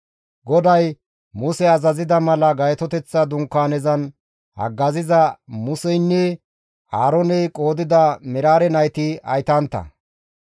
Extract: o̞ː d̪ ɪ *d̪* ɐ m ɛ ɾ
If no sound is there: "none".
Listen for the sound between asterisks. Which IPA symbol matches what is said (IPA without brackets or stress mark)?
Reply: d̪